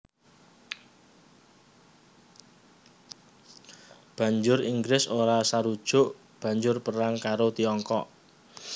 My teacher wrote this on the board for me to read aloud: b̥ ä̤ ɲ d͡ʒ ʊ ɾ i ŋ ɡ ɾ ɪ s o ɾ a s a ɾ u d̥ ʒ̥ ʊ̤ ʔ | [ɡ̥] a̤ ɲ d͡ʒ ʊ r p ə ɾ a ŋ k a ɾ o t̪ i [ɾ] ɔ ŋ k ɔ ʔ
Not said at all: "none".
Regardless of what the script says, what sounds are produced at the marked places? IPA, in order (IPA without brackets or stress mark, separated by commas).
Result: b̥, none